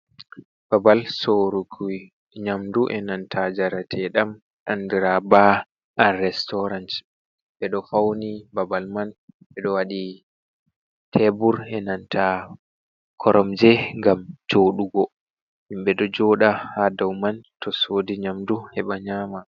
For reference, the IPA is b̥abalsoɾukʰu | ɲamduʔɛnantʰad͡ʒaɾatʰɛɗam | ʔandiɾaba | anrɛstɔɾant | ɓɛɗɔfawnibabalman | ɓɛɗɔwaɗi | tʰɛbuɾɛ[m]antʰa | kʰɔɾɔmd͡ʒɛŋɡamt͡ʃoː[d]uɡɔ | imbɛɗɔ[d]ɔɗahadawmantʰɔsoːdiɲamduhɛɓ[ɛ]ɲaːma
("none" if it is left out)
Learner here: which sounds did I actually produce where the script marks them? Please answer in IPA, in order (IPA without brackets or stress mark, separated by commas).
n, ɗ, d͡ʒ, a